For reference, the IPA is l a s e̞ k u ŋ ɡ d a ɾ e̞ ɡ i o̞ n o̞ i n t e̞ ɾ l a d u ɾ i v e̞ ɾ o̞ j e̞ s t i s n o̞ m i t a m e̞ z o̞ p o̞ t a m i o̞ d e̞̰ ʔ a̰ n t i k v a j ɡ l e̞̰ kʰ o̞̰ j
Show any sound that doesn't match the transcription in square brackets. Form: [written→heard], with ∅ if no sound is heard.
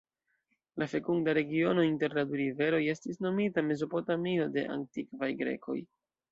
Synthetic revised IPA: l a [s→f] e̞ k u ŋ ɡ d a ɾ e̞ ɡ i o̞ n o̞ i n t e̞ ɾ l a d u ɾ i v e̞ ɾ o̞ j e̞ s t i s n o̞ m i t a m e̞ z o̞ p o̞ t a m i o̞ d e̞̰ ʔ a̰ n t i k v a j ɡ [l→ɾ] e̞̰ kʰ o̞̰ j